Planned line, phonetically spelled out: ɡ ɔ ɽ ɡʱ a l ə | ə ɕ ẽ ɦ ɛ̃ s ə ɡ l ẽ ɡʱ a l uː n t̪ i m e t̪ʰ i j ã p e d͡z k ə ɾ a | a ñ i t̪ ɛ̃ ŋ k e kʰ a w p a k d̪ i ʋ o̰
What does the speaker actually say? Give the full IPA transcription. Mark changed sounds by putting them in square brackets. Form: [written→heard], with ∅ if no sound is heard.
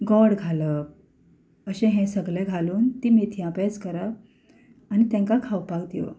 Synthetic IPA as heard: ɡ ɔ ɽ ɡʱ a l ə | ə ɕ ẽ ɦ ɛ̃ s ə ɡ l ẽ ɡʱ a l uː n t̪ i m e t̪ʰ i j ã p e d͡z k ə ɾ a | a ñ i t̪ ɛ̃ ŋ k [e→a] kʰ a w p a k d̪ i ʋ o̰